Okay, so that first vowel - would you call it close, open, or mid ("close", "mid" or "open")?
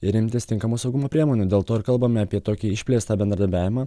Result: close